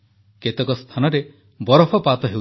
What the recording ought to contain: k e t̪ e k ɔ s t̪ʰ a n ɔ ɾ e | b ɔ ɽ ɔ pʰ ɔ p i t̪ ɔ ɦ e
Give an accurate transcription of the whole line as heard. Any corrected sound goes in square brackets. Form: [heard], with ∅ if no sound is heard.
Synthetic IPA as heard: k e t̪ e k ɔ s t̪ʰ a n ɔ ɾ e | b ɔ [ɾ] ɔ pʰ ɔ p [a] t̪ ɔ ɦ e

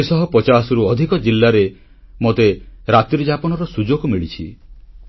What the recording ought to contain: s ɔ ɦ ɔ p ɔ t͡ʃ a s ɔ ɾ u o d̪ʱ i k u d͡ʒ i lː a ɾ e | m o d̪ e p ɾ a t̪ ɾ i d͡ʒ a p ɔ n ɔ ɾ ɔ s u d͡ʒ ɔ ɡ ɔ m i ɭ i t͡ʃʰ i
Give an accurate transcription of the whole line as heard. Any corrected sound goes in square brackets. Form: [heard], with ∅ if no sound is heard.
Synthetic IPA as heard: s ɔ ɦ ɔ p ɔ t͡ʃ a s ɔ ɾ u [ɔ] d̪ʱ i k [ɔ] d͡ʒ i lː a ɾ e | m o [t̪] e [∅] ɾ a t̪ ɾ i d͡ʒ a p ɔ n ɔ ɾ ɔ s u d͡ʒ [o] ɡ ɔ m i ɭ i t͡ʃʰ i

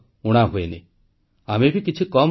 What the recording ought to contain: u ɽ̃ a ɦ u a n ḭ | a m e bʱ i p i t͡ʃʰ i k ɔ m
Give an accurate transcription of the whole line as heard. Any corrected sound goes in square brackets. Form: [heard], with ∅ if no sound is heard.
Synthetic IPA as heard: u ɽ̃ a ɦ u [e] n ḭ | a m e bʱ i [k] i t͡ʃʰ i k ɔ m

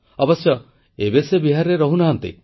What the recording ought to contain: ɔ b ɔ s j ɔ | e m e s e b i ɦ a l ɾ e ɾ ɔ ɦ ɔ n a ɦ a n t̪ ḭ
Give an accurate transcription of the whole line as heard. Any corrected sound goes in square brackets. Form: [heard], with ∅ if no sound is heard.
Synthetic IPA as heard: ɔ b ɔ s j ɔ | e [b] e s e b i ɦ a [ɾ] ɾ e ɾ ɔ ɦ [u] n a ɦ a n t̪ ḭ

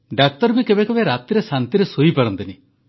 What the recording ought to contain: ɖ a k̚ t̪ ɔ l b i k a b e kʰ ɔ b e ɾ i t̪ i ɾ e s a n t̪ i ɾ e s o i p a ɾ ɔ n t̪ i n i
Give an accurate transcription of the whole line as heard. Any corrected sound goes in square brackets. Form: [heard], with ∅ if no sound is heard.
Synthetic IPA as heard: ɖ a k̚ t̪ ɔ [ɾ] b i k [e] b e [k] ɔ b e ɾ [a] t̪ i ɾ e s a n t̪ i ɾ e s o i p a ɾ ɔ n t̪ i n i

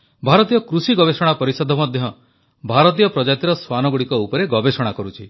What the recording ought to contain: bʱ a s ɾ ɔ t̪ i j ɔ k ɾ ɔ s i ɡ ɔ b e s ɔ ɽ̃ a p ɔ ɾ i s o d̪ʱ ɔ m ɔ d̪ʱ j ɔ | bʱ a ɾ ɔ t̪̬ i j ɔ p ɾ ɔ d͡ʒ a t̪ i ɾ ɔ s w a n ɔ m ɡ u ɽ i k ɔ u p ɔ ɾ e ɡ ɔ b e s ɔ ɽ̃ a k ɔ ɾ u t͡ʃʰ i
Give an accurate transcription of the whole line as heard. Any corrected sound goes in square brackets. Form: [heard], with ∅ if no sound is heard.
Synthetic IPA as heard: bʱ a [∅] ɾ ɔ t̪ i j ɔ k ɾ [u] s i ɡ ɔ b e s ɔ ɽ̃ a p ɔ ɾ i s [ɔ] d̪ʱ ɔ m ɔ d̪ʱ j ɔ | bʱ a ɾ ɔ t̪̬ i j ɔ p ɾ ɔ d͡ʒ a t̪ i ɾ ɔ s w a n ɔ [∅] ɡ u ɽ i k ɔ u p ɔ ɾ e ɡ ɔ b e s ɔ ɽ̃ a k ɔ ɾ u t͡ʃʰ i

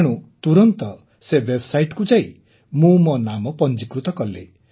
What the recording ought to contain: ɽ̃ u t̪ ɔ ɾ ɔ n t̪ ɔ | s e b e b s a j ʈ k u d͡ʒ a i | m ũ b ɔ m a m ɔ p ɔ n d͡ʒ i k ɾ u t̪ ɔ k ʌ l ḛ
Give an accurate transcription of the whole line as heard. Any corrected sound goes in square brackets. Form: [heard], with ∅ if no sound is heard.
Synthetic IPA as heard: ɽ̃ u t̪ [u] ɾ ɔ n t̪ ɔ | s e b e b s a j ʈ k u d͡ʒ a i | m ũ [m] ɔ [n] a m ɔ p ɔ n d͡ʒ i k ɾ u t̪ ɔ k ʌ l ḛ

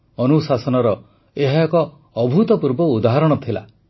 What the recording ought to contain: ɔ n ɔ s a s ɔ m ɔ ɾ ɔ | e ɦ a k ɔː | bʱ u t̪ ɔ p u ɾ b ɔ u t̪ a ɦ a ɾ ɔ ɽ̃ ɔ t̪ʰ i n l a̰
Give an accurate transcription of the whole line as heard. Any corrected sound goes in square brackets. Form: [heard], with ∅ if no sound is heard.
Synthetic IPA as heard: ɔ n [u] s a s ɔ [n] ɔ ɾ ɔ | e ɦ a k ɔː | bʱ u t̪ ɔ p u ɾ b ɔ u [d̪] a ɦ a ɾ ɔ ɽ̃ ɔ t̪ʰ i [∅] l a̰

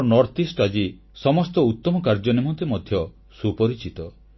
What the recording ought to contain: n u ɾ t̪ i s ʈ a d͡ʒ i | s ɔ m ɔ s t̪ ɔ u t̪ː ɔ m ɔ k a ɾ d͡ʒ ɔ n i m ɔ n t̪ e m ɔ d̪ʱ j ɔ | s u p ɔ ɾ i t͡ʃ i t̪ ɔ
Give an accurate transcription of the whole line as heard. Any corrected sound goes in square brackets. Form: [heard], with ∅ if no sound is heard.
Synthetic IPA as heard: n [ɔ] ɾ t̪ i s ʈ a d͡ʒ i | s ɔ m ɔ s t̪ ɔ u t̪ː ɔ m ɔ k a ɾ d͡ʒ ɔ n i m ɔ n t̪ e m ɔ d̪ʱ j ɔ | s u p ɔ ɾ i t͡ʃ i t̪ ɔ

